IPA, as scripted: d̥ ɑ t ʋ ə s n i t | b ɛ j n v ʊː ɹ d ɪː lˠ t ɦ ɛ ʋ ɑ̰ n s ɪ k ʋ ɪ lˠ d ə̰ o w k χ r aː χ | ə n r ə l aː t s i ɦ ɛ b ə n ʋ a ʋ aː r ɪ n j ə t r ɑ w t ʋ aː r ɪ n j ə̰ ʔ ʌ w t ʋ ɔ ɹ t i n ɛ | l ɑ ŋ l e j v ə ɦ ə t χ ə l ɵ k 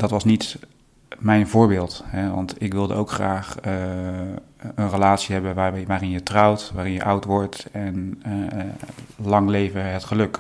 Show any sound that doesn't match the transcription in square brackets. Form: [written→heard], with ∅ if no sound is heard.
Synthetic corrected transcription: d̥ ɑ t ʋ [ə→ɑ] s n i t | [b→m] ɛ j n v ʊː ɹ [d→b] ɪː lˠ t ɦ ɛ ʋ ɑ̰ n [s→t] ɪ k ʋ ɪ lˠ d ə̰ o w k χ r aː χ | ə n r ə l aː t s i ɦ ɛ b ə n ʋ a ʋ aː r ɪ n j ə t r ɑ w t ʋ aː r ɪ n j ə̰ ʔ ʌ w t ʋ ɔ ɹ t [i→ɛ] n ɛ | l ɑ ŋ l e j v ə ɦ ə t χ ə l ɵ k